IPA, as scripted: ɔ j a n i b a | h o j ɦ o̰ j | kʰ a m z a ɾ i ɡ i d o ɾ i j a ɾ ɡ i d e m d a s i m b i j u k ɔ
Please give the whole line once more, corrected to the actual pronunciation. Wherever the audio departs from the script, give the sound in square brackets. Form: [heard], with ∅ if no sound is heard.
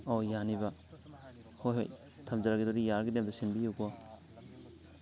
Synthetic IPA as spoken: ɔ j a n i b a | h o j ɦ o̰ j | [tʰ] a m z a ɾ [a] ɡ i d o ɾ i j a ɾ ɡ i d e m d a s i [n] b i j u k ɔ